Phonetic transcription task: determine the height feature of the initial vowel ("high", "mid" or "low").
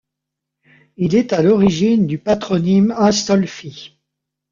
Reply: high